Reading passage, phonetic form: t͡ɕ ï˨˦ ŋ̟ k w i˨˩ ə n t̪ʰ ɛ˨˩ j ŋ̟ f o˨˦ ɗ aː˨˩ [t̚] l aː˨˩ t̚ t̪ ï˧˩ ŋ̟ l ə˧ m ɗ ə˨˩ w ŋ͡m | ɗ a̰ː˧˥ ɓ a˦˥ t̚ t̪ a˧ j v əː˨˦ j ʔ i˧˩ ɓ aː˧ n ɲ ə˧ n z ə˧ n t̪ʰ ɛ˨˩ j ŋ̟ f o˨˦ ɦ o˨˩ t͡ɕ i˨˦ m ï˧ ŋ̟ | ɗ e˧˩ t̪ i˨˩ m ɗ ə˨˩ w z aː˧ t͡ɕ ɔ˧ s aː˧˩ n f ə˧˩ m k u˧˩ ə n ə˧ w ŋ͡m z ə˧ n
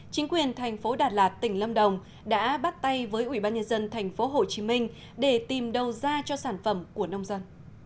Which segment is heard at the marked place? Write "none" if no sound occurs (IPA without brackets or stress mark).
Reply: t̚